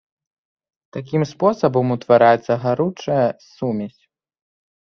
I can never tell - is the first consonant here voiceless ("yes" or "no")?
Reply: yes